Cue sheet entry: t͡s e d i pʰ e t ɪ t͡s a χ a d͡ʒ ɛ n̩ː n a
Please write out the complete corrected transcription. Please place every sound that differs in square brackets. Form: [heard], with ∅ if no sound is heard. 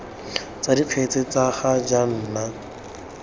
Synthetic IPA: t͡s [a] d i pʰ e [t͡s] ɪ t͡s a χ a d͡ʒ [a] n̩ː n a